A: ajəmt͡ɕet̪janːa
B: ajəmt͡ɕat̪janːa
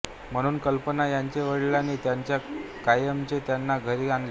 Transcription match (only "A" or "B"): A